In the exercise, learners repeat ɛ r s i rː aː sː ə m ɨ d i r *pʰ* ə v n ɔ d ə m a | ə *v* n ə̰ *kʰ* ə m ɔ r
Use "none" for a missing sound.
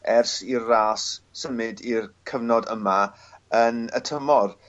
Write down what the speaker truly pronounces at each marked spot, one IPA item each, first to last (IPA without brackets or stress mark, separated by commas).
kʰ, none, tʰ